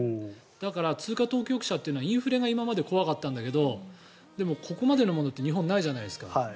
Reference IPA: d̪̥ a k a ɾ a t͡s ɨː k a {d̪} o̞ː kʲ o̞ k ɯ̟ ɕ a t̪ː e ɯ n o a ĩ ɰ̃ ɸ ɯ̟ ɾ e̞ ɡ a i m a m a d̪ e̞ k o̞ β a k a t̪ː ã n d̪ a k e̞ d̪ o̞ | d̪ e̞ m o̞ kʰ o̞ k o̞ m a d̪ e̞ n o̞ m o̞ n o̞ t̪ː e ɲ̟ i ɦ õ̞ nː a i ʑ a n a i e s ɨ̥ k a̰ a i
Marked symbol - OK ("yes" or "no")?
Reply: no